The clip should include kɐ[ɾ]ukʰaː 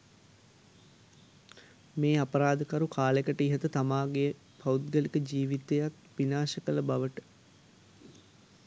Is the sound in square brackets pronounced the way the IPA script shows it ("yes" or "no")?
yes